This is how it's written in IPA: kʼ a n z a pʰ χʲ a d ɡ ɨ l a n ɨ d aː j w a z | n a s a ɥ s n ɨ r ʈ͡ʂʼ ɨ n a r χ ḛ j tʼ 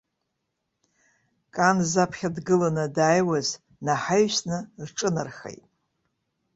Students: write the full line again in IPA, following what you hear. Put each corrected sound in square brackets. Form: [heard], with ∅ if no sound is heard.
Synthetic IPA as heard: kʼ a n z a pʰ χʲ a d ɡ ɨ l a n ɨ d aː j w a z | n a [ħ] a ɥ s n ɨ r ʈ͡ʂʼ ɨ n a r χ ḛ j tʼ